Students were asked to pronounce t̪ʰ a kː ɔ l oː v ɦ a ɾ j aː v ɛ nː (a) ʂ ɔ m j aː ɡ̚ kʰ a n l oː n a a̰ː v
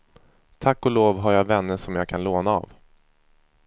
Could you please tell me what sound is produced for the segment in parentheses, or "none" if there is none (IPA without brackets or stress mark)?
ə